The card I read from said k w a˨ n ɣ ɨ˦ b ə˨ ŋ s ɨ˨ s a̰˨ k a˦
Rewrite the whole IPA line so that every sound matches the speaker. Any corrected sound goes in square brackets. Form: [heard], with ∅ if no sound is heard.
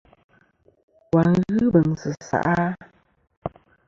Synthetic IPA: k w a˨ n ɣ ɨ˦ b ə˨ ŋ s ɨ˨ s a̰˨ [ʔ] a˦